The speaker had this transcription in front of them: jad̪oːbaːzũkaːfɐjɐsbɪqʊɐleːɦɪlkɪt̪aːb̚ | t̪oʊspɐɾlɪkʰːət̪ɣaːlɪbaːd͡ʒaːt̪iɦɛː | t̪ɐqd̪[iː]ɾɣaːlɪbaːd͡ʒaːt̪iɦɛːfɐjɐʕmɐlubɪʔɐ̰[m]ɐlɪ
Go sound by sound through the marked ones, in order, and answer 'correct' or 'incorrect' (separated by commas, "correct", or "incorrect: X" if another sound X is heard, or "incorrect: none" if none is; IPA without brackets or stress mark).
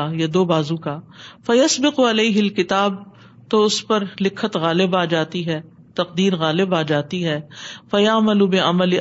correct, correct